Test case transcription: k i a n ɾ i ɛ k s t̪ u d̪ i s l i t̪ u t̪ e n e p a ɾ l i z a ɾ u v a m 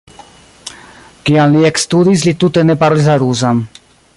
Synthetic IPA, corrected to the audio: k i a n l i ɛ k s t̪ u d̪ i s l i t̪ u t̪ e n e p a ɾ l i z a ɾ u z a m